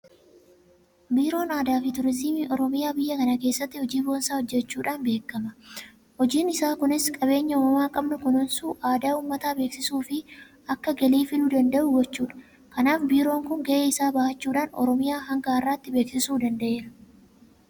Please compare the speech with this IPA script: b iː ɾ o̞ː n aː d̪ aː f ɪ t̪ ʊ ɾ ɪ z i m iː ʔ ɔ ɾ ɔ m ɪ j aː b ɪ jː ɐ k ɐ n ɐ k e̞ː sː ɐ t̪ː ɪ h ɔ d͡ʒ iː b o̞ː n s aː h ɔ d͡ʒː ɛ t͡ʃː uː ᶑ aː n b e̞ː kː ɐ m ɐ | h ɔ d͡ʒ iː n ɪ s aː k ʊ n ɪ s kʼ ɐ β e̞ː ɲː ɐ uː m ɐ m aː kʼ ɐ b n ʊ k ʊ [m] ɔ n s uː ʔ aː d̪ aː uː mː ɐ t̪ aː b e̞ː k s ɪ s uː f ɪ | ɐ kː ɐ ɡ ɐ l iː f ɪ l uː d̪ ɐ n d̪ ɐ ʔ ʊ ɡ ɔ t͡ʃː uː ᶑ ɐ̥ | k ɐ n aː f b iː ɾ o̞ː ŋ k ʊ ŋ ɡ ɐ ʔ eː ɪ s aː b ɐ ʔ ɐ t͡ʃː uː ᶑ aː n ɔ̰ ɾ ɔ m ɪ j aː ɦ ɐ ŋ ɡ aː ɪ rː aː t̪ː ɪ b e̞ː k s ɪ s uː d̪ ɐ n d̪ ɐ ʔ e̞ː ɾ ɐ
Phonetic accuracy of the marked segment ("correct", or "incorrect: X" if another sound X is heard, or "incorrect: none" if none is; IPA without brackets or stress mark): incorrect: n